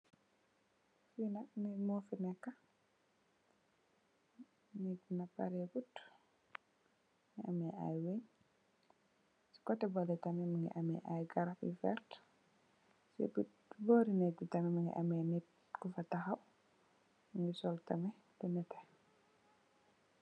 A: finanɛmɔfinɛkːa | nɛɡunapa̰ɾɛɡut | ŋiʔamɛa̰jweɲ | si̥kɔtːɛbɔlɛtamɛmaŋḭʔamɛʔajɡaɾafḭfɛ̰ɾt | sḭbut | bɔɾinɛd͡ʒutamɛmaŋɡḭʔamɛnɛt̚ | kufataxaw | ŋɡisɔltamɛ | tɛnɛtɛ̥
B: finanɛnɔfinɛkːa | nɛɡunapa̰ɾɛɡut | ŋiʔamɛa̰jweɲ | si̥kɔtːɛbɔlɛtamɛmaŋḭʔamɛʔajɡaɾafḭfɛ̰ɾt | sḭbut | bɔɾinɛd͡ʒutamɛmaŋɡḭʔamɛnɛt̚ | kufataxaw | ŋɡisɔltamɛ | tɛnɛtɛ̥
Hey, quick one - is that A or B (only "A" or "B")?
A